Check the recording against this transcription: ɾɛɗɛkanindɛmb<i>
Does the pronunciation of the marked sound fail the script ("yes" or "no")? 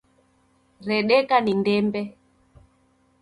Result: yes